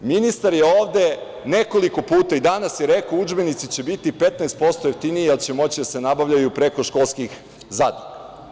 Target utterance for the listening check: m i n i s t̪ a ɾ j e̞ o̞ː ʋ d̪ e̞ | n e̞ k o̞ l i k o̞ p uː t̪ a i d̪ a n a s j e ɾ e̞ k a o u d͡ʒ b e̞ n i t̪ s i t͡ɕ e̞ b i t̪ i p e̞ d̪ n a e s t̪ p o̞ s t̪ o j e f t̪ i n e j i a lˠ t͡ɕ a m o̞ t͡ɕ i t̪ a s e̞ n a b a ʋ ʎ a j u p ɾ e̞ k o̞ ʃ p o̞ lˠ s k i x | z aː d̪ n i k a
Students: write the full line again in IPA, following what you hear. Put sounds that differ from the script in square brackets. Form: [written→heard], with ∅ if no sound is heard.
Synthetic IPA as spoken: m i n i s t̪ a ɾ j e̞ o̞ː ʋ d̪ e̞ | n e̞ k o̞ l i k o̞ p uː t̪ a i d̪ a n a s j e ɾ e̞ k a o u d͡ʒ b e̞ n i t̪ s i t͡ɕ e̞ b i t̪ i p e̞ [d̪→t̪] n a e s t̪ p o̞ s t̪ o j e f t̪ i n [e→i] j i a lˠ t͡ɕ [a→e] m o̞ t͡ɕ i [t̪→d̪] a s e̞ n a b a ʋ ʎ a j u p ɾ e̞ k o̞ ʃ [p→k] o̞ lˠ s k i x | z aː d̪ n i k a

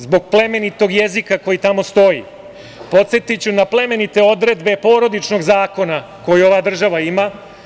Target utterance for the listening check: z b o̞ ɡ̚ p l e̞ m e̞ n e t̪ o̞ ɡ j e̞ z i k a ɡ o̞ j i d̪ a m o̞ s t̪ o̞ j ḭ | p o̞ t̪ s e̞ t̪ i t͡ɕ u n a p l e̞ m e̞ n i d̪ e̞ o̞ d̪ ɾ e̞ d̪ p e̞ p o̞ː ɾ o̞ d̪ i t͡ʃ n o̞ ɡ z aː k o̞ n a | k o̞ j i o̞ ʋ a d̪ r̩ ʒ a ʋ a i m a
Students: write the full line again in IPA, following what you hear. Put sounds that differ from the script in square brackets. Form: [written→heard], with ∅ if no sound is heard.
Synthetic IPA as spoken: z b o̞ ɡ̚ p l e̞ m e̞ n [e→i] t̪ o̞ ɡ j e̞ z i k a [ɡ→k] o̞ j i [d̪→t̪] a m o̞ s t̪ o̞ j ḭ | p o̞ t̪ s e̞ t̪ i t͡ɕ u n a p l e̞ m e̞ n i [d̪→t̪] e̞ o̞ d̪ ɾ e̞ d̪ [p→b] e̞ p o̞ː ɾ o̞ d̪ i t͡ʃ n o̞ ɡ z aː k o̞ n a | k o̞ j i o̞ ʋ a d̪ r̩ ʒ a ʋ a i m a

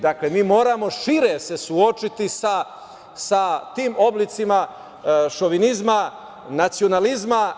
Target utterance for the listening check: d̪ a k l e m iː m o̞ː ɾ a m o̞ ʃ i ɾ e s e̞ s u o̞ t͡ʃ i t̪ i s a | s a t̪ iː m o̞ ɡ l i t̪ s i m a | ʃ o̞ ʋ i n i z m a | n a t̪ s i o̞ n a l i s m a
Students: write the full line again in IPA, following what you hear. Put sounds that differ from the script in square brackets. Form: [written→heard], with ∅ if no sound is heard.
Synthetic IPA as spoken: d̪ a k l e m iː m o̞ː ɾ a m o̞ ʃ i ɾ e s e̞ s u o̞ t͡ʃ i t̪ i s a | s a t̪ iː m o̞ [ɡ→b] l i t̪ s i m a | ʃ o̞ ʋ i n i z m a | n a t̪ s i o̞ n a l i [s→z] m a

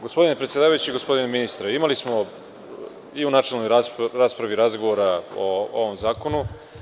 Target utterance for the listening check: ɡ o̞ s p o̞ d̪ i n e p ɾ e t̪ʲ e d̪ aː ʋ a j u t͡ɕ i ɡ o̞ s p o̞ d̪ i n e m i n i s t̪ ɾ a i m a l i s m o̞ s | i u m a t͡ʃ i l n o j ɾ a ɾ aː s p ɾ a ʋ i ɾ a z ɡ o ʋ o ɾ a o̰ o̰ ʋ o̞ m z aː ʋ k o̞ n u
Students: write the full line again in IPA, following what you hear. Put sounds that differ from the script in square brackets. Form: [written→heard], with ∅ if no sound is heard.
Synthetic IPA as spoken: ɡ o̞ s p o̞ d̪ i n e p ɾ e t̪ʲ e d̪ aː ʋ a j u t͡ɕ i ɡ o̞ s p o̞ d̪ i n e m i n i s t̪ ɾ a i m a l i s m o̞ [s→∅] | i u [m→n] a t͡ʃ [i→e] l n o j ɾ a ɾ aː s p ɾ a ʋ i ɾ a z ɡ o ʋ o ɾ a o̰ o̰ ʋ o̞ m z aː [ʋ→∅] k o̞ n u

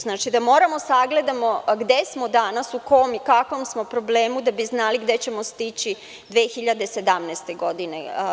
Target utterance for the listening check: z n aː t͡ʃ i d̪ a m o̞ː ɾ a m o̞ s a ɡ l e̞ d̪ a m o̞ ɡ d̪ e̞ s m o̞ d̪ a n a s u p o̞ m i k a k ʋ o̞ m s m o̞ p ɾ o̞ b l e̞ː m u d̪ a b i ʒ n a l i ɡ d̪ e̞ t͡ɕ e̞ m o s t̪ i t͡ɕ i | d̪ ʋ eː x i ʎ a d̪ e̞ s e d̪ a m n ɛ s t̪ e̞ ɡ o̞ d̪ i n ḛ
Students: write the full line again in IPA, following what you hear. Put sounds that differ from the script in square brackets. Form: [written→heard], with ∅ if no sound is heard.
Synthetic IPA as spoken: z n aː t͡ʃ i d̪ a m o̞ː ɾ a m o̞ s a ɡ l e̞ d̪ a m o̞ ɡ d̪ e̞ s m o̞ d̪ a n a s u [p→k] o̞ m i k a k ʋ o̞ m s m o̞ p ɾ o̞ b l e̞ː m u d̪ a b i [ʒ→z] n a l i ɡ d̪ e̞ t͡ɕ e̞ m o s t̪ i t͡ɕ i | d̪ ʋ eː x i ʎ a d̪ e̞ s e d̪ a m n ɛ s t̪ e̞ ɡ o̞ d̪ i n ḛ

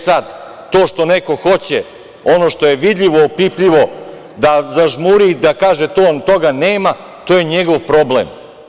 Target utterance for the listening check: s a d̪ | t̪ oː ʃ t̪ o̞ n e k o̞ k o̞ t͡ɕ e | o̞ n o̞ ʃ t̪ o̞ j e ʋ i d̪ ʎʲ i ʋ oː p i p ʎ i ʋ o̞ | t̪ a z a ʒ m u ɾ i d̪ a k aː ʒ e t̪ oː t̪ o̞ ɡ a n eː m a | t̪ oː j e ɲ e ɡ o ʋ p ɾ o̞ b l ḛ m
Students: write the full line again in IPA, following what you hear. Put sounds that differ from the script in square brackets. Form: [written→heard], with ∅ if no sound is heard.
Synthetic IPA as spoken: s a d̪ | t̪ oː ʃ t̪ o̞ n e k o̞ [k→x] o̞ t͡ɕ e | o̞ n o̞ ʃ t̪ o̞ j e ʋ i d̪ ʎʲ i ʋ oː p i p ʎ i ʋ o̞ | [t̪→d̪] a z a ʒ m u ɾ i d̪ a k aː ʒ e t̪ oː t̪ o̞ ɡ a n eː m a | t̪ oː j e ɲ e ɡ o ʋ p ɾ o̞ b l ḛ m

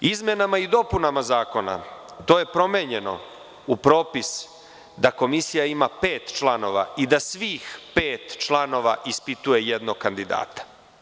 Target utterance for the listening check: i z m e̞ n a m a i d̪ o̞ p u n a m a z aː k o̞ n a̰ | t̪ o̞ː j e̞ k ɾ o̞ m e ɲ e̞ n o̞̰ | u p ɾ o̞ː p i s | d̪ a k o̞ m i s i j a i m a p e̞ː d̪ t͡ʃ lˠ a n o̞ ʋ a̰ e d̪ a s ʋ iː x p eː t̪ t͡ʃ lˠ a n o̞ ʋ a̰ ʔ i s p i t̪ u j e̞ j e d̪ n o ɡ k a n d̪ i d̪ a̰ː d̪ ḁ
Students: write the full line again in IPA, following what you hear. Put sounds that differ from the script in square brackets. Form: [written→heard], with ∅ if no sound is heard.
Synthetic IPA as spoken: i z m e̞ n a m a i d̪ o̞ p u n a m a z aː k o̞ n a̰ | t̪ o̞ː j e̞ [k→p] ɾ o̞ m e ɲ e̞ n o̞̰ | u p ɾ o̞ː p i s | d̪ a k o̞ m i s i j a i m a p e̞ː [d̪→t̪] t͡ʃ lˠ a n o̞ ʋ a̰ [e→i] d̪ a s ʋ iː x p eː t̪ t͡ʃ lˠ a n o̞ ʋ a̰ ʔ i s p i t̪ u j e̞ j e d̪ n o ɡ k a n d̪ i d̪ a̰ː [d̪→t̪] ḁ

